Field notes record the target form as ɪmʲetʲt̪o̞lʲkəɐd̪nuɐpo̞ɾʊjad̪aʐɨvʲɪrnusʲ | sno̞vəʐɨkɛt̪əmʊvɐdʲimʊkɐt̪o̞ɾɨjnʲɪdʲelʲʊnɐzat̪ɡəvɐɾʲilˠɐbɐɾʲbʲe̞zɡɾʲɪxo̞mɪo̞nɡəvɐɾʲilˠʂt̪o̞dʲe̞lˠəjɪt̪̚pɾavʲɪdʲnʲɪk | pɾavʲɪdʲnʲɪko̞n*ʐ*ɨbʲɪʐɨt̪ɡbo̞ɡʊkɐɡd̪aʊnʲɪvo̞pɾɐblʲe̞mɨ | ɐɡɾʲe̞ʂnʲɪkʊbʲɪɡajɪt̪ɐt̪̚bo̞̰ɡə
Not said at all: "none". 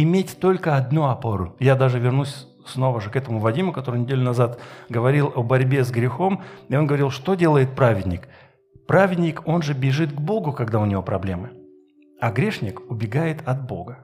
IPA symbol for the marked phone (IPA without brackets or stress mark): ʐ